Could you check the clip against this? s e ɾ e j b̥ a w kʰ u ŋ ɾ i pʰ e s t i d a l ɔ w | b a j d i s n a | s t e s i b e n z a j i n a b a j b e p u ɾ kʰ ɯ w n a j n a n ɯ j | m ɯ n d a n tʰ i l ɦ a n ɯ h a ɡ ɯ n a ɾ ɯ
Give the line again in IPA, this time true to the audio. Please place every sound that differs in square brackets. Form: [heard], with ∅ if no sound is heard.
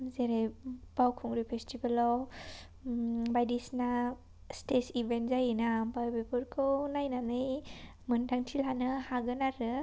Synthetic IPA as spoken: [z] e ɾ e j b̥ a w kʰ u ŋ ɾ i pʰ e s t i [b] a l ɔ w | b a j d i s n a | s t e s i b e n z a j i n a b a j b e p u ɾ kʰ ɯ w n a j n a n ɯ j | m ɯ n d a [ŋ] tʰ i l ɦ a n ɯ h a ɡ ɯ n a ɾ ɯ